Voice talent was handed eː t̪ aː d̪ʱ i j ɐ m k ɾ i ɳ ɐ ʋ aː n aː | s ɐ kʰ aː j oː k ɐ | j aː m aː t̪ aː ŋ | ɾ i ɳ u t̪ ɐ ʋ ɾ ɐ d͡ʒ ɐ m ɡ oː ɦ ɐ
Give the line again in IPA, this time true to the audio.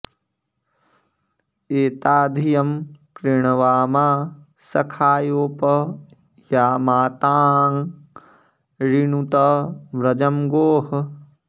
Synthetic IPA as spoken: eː t̪ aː d̪ʱ i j ɐ m k ɾ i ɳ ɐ ʋ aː m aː | s ɐ kʰ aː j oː p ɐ | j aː m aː t̪ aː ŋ | ɾ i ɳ u t̪ ɐ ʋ ɾ ɐ d͡ʒ ɐ m ɡ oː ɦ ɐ

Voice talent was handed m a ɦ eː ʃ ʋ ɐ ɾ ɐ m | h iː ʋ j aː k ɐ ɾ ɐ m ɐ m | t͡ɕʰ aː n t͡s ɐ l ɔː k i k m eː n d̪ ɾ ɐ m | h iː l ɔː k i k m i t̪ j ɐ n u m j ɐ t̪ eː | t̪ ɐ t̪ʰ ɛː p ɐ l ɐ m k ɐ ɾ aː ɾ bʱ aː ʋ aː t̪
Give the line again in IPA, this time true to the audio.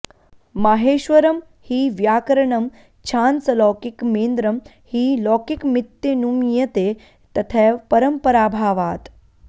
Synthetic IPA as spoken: m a ɦ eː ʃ ʋ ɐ ɾ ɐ m | h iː ʋ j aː k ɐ ɾ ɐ ɳ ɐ m | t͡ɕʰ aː n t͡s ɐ l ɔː k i k m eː n d̪ ɾ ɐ m | h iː l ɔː k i k m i t̪ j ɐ n u m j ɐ t̪ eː | t̪ ɐ t̪ʰ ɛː p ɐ ɾ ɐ m p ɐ ɾ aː bʱ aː ʋ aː t̪

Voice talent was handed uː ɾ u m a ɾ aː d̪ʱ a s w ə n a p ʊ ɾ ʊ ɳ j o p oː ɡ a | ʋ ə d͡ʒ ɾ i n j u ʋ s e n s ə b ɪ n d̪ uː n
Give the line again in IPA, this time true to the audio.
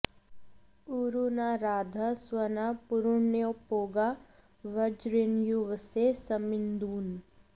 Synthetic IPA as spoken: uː ɾ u n a ɾ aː d̪ʱ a s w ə n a p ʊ ɾ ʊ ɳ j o p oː ɡ a | ʋ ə d͡ʒ ɾ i n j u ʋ s e s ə m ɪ n d̪ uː n

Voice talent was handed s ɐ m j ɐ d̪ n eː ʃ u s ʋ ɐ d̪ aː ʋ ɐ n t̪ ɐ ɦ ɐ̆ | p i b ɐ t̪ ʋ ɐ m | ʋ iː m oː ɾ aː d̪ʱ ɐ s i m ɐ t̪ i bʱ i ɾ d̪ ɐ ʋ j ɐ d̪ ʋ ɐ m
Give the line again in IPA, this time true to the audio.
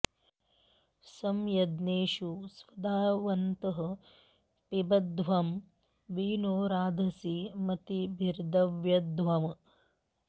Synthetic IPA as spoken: s ɐ m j ɐ d̪ n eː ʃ u s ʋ ɐ d̪ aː ʋ ɐ n t̪ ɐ ɦ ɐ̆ | p i b ɐ d̪ ʋ ɐ m | ʋ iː n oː ɾ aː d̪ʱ ɐ s i m ɐ t̪ i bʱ i ɾ d̪ ɐ ʋ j ɐ d̪ ʋ ɐ m

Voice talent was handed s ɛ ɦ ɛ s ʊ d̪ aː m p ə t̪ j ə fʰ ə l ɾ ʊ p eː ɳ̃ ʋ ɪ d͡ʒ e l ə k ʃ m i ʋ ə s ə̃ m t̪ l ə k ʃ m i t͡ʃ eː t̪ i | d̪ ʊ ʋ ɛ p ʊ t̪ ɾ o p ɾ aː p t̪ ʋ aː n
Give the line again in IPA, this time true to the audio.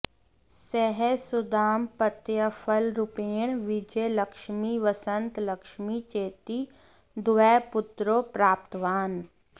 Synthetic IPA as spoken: s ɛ ɦ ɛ s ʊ d̪ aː m p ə t̪ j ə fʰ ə l ɾ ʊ p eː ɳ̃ ʋ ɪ d͡ʒ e l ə k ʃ m i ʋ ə s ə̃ n t̪ l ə k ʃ m i t͡ʃ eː t̪ i | d̪ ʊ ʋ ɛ p ʊ t̪ ɾ o p ɾ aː p t̪ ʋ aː n

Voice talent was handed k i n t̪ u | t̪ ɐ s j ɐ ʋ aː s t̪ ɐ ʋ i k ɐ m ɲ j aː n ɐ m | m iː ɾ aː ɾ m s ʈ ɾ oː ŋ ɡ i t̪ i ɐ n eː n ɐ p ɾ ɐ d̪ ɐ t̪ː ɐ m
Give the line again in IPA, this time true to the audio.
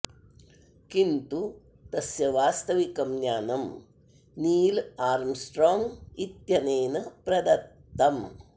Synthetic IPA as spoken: k i n t̪ u | t̪ ɐ s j ɐ ʋ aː s t̪ ɐ ʋ i k ɐ m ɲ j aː n ɐ m | n iː l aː ɾ m s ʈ ɾ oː ŋ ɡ i t̪ j ɐ n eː n ɐ p ɾ ɐ d̪ ɐ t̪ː ɐ m

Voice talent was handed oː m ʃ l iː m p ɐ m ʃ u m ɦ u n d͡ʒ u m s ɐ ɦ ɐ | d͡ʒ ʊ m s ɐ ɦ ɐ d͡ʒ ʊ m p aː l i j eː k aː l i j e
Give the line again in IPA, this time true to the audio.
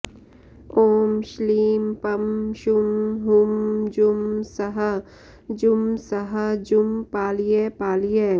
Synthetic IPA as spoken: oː m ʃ l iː m p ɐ m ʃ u m ɦ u m d͡ʒ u m s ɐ ɦ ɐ | d͡ʒ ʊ m s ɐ ɦ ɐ d͡ʒ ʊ m p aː l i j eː p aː l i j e

